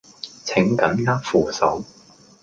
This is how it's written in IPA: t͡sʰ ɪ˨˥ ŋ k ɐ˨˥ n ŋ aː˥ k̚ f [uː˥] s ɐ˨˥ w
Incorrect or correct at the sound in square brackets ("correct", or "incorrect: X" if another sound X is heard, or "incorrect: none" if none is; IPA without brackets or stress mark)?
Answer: incorrect: uː˨˩